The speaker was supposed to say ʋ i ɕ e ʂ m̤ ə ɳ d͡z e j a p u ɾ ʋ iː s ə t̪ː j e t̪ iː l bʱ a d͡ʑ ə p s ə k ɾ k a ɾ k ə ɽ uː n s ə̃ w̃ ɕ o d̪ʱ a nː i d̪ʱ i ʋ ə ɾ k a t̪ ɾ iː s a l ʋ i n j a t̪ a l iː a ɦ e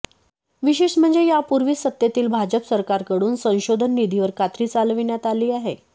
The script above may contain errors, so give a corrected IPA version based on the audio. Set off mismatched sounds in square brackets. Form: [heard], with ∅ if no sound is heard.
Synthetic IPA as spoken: ʋ i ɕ e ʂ m̤ ə ɳ d͡z e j a p u ɾ ʋ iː s ə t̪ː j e t̪ iː l bʱ a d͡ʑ ə p s ə [∅] ɾ k a ɾ k ə ɽ uː n s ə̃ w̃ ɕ o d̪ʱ [ə] nː i d̪ʱ i ʋ ə ɾ k a t̪ ɾ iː [t͡s] a l ʋ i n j a t̪ a l iː a ɦ e